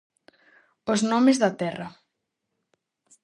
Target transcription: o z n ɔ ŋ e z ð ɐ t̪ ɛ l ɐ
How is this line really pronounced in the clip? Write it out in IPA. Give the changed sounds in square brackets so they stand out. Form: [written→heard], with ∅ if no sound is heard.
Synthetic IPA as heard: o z n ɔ [ŋ→m] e z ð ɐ t̪ ɛ [l→r] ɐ